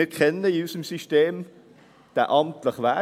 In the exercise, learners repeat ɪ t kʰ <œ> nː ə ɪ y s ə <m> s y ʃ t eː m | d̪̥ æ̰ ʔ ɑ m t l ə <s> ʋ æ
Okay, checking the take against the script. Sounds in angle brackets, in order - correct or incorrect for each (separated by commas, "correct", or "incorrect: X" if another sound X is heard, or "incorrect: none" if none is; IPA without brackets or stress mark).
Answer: incorrect: ɛ, correct, incorrect: χ